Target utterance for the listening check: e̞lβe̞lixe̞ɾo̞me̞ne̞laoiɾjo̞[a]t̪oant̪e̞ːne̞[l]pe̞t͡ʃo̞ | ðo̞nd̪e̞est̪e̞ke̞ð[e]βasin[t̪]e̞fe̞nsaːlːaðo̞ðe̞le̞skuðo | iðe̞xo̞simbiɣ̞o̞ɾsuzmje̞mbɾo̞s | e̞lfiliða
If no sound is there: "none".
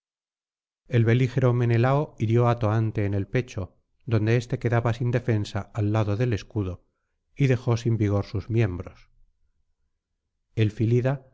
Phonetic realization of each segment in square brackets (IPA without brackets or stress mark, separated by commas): a, l, a, d̪